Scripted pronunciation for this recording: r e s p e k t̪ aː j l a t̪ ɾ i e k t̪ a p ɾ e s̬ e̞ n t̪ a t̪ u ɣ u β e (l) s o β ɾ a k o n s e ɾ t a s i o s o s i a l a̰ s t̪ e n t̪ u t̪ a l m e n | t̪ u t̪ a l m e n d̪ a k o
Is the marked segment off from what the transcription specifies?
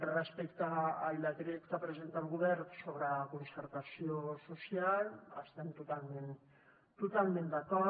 yes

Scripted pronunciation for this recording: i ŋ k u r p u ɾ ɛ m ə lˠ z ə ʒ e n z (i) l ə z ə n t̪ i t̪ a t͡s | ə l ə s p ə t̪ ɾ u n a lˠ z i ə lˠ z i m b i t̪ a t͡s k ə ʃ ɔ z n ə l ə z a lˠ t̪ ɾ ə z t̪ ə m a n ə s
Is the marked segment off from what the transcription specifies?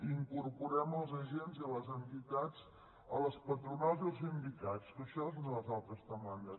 no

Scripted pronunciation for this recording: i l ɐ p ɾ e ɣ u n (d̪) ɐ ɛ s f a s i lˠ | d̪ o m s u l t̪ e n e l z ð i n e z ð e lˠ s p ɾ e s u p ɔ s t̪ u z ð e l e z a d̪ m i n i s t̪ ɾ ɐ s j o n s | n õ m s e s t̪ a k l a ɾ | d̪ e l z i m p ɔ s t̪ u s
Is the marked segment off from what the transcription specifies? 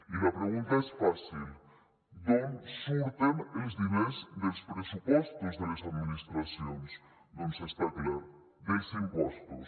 yes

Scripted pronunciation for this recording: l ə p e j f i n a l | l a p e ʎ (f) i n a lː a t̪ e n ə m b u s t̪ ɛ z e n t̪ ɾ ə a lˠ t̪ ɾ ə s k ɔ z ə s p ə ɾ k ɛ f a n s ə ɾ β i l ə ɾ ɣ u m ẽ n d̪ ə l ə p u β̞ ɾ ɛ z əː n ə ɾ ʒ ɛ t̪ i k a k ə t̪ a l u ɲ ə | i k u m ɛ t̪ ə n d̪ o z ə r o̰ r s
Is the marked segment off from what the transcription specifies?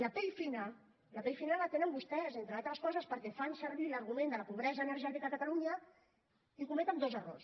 no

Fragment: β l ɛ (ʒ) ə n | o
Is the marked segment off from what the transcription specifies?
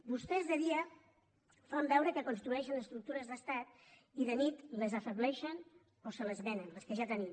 yes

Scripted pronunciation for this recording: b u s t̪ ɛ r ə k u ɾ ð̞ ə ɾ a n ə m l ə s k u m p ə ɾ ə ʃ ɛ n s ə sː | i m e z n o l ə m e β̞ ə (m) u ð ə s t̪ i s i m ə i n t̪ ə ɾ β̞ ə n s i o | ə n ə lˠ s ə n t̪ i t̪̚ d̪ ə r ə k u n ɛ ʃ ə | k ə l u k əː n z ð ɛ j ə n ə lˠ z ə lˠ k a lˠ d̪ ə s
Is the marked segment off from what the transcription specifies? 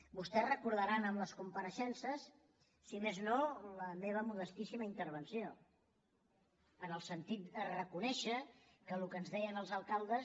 no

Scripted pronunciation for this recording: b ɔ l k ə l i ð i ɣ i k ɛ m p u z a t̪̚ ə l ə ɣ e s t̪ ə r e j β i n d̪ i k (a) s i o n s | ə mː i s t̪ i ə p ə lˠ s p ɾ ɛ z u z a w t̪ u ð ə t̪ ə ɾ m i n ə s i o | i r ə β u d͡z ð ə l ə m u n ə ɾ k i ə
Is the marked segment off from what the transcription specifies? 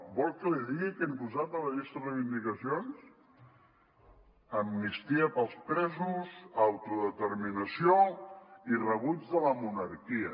yes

